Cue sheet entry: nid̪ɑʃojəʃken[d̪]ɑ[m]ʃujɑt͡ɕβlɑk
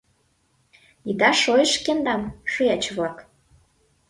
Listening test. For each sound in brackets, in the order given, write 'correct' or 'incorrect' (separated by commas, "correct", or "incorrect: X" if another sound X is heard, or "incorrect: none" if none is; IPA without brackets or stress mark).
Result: correct, correct